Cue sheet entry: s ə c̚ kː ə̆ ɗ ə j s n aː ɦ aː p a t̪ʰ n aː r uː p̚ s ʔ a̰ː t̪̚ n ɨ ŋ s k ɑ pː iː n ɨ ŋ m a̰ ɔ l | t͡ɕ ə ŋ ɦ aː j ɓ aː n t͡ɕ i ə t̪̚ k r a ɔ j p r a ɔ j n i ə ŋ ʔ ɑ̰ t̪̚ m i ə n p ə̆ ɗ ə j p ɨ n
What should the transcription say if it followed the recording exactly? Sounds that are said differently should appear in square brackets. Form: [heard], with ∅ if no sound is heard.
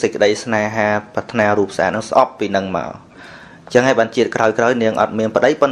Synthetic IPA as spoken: s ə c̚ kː ə̆ ɗ ə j s n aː ɦ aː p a t̪ʰ n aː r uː p̚ s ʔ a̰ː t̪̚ n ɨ ŋ s [ʔ] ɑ pː iː n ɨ ŋ m a̰ ɔ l | t͡ɕ ə ŋ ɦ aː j ɓ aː n t͡ɕ i ə t̪̚ k r a ɔ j [k] r a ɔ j n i ə ŋ ʔ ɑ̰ t̪̚ m i ə n p ə̆ ɗ ə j p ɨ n